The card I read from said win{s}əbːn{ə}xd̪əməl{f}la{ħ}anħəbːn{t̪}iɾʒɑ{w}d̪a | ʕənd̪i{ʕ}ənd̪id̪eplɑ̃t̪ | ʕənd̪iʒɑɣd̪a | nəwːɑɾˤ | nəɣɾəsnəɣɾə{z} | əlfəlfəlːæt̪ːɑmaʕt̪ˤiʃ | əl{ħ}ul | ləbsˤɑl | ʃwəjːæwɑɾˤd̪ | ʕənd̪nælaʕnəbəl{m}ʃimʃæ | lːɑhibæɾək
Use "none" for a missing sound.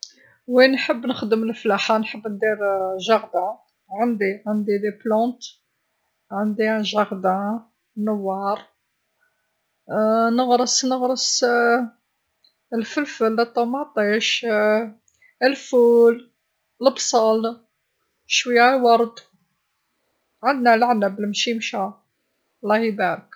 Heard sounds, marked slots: ħ, ə, f, ħ, d̪, ɣ, ʕ, s, f, m

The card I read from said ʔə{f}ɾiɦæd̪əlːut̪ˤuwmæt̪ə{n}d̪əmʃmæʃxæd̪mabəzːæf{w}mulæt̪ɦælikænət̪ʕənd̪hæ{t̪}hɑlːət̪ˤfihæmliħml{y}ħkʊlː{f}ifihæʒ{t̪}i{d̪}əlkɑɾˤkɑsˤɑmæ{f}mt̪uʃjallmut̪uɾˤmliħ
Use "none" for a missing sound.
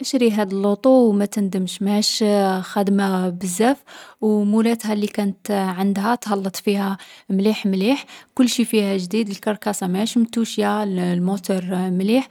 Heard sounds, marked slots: ʃ, n, w, t̪, i, ʃ, d̪, d̪, ʃ

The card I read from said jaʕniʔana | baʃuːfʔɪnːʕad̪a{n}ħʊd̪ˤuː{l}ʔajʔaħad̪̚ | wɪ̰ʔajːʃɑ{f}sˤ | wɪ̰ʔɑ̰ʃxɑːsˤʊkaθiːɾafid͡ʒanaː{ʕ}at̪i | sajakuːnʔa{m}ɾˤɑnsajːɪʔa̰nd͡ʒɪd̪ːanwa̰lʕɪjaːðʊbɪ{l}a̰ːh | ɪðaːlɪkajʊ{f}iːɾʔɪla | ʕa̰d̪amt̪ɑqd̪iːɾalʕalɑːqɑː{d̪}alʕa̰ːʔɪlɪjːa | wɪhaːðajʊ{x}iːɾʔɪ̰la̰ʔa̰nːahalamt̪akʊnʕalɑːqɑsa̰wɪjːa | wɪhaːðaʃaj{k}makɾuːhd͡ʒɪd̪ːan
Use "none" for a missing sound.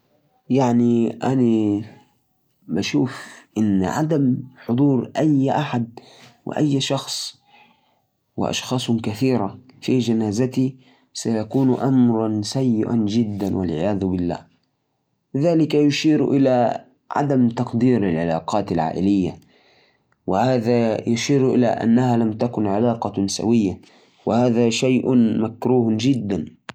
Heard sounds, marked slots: m, ɾ, x, z, m, lː, ʃ, t̪, ʃ, ʔ

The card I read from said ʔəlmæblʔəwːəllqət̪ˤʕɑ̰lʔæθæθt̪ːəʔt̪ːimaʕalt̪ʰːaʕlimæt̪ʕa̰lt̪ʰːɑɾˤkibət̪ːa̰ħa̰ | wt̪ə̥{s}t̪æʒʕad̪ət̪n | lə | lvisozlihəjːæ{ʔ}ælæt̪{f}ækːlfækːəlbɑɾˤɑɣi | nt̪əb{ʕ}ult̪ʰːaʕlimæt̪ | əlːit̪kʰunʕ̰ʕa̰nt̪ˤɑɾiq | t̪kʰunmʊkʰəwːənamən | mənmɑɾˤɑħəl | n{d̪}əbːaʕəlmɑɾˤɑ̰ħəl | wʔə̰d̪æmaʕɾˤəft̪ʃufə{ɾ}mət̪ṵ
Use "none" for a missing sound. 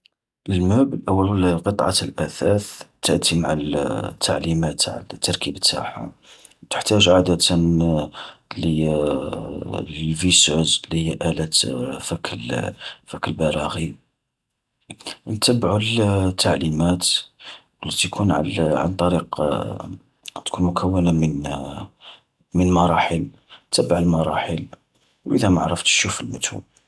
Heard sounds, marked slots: ħ, ʔ, f, ʕ, t̪, l

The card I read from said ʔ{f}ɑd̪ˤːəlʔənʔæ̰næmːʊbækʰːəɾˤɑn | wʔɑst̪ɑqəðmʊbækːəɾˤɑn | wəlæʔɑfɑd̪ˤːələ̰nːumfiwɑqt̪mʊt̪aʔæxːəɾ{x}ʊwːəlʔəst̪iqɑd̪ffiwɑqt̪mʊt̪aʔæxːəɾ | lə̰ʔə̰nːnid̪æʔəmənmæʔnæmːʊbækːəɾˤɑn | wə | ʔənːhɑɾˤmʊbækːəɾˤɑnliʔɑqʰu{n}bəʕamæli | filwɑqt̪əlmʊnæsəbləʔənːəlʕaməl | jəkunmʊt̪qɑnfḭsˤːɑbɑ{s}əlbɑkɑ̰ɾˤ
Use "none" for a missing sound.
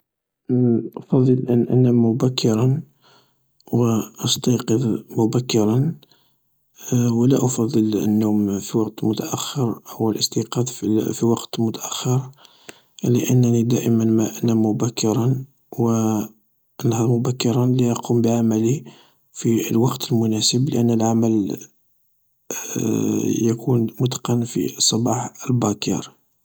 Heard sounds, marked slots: f, h, m, ħ

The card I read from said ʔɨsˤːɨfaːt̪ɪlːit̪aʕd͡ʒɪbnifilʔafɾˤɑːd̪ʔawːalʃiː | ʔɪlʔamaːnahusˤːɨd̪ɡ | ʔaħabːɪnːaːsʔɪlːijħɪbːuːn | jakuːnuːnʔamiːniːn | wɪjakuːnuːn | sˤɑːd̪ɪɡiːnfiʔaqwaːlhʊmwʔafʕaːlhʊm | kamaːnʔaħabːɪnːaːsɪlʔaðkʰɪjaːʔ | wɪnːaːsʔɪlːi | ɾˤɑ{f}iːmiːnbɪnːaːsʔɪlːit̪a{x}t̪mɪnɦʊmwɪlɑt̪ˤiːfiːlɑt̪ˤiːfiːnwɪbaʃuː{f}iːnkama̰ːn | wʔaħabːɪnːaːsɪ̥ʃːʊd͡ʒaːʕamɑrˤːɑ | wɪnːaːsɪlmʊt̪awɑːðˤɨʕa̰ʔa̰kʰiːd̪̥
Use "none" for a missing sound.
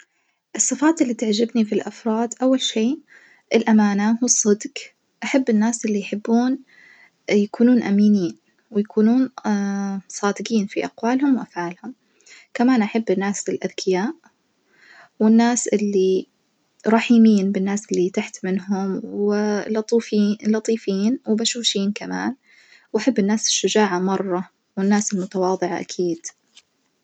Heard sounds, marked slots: ħ, ħ, ʃ

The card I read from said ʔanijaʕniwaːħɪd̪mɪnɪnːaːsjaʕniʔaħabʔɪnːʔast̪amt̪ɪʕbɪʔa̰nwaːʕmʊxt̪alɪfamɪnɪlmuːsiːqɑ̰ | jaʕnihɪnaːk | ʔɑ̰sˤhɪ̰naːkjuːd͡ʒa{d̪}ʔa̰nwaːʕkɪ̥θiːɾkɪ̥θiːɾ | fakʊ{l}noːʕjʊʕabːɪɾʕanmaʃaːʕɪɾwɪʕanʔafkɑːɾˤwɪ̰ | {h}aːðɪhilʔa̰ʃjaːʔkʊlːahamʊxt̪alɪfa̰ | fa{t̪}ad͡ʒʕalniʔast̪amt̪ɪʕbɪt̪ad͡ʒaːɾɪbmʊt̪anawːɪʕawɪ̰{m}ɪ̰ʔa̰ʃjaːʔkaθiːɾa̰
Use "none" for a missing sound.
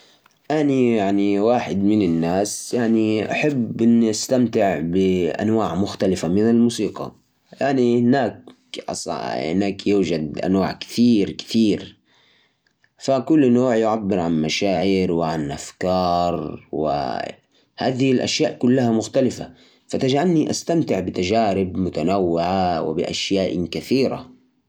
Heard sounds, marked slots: d̪, lː, h, t̪, b

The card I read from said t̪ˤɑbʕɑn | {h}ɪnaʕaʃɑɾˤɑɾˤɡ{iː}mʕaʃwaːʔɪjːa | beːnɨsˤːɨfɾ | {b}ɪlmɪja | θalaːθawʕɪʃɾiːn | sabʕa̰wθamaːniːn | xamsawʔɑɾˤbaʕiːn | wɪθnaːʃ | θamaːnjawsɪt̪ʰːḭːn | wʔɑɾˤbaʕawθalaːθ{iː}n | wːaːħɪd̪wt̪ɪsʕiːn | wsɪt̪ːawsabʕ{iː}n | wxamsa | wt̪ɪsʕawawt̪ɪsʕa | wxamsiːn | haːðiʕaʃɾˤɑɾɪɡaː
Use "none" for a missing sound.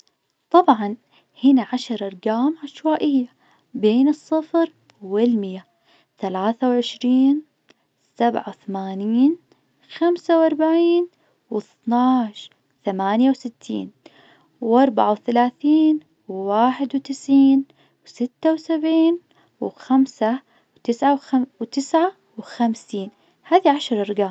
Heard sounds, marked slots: h, aː, w, iː, iː

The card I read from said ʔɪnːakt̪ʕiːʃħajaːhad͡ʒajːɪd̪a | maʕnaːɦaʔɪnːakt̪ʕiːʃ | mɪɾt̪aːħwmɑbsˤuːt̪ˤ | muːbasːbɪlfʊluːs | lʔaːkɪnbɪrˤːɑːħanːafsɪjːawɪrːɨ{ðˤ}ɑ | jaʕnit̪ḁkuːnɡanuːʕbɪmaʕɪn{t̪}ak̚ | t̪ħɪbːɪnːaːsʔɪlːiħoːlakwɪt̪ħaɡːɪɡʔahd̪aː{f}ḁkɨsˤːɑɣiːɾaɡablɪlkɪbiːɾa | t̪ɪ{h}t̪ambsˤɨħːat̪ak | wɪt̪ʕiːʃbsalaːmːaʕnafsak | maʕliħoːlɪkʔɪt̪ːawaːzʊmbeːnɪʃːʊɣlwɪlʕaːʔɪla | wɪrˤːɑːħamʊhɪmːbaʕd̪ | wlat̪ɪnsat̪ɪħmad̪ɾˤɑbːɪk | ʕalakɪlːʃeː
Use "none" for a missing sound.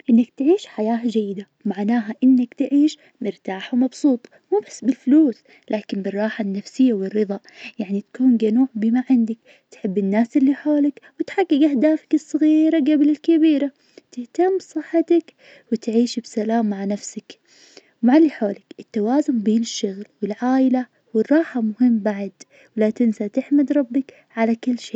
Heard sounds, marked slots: ðˤ, d̪, f, h

